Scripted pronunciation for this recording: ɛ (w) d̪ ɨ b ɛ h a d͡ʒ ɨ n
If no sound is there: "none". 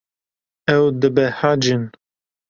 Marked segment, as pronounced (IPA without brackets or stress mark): w